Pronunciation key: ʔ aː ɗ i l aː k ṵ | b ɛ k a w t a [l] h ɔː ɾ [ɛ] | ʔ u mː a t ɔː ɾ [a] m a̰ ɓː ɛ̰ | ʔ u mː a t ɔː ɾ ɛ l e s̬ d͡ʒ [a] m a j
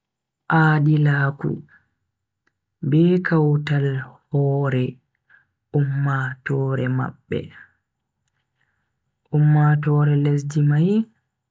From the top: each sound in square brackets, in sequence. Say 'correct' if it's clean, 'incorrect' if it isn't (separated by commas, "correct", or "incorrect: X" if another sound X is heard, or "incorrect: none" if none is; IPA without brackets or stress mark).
correct, correct, incorrect: ɛ, incorrect: i